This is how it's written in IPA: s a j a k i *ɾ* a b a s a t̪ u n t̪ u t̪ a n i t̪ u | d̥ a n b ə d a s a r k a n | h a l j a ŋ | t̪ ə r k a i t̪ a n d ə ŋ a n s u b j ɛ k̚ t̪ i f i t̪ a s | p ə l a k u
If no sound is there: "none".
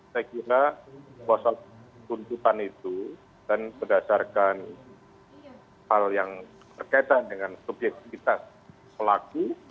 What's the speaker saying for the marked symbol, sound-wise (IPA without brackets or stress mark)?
ɾ